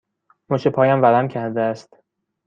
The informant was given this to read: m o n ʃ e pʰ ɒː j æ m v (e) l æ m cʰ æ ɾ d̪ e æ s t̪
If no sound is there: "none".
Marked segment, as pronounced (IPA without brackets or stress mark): æ